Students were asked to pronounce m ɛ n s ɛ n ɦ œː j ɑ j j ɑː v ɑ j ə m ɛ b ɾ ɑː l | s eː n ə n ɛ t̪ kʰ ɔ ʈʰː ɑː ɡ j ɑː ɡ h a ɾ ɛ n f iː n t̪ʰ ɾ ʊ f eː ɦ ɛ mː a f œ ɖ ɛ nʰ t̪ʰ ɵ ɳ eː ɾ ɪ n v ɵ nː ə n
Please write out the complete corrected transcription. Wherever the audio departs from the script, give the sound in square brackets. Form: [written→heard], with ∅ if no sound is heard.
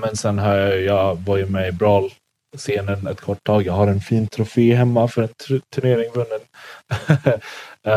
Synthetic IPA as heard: m ɛ n s ɛ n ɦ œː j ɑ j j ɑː v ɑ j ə m ɛ b ɾ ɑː l | s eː n ə n ɛ t̪ kʰ ɔ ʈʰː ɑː ɡ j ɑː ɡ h a ɾ ɛ n f iː n t̪ʰ ɾ ʊ f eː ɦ ɛ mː a f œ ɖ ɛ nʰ t̪ʰ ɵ ɳ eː ɾ ɪ [n→ŋ] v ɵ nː ə n